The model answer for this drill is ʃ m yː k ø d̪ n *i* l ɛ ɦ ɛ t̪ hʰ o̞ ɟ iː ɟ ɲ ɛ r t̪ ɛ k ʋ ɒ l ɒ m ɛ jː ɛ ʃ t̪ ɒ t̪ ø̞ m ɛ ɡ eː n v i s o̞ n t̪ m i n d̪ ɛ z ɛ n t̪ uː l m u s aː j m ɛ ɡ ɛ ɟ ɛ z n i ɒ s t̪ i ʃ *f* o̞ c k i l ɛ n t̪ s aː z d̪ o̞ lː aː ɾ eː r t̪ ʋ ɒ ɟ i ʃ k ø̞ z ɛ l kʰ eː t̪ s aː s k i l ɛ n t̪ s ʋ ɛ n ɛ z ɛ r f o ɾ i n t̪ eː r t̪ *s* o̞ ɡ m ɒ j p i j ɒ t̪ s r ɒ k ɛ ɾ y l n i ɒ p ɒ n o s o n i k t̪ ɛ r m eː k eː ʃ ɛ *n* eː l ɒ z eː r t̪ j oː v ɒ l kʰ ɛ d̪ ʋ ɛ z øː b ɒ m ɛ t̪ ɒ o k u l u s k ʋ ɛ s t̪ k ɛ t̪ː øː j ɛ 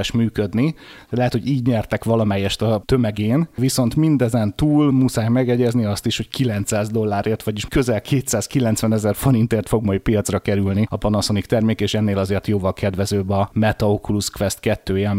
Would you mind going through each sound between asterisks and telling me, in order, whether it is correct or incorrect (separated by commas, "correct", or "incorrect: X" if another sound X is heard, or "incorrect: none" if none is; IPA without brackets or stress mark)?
correct, incorrect: h, incorrect: f, incorrect: nː